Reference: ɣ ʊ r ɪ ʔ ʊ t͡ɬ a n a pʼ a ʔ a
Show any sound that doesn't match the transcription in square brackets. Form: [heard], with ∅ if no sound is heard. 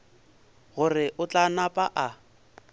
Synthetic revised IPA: ɣ ʊ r ɪ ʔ ʊ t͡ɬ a n a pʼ a ʔ a